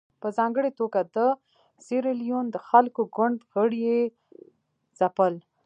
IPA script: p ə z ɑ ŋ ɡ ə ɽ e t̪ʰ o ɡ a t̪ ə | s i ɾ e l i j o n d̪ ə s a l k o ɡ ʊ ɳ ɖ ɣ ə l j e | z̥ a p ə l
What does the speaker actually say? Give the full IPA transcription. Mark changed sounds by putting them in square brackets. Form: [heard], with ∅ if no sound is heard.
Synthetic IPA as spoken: p ə z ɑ ŋ ɡ ə ɽ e [t̪] o ɡ a [d̪] ə | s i ɾ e l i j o n d̪ ə [x] a l k o ɡ ʊ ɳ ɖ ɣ ə [ɽ] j e | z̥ a p ə l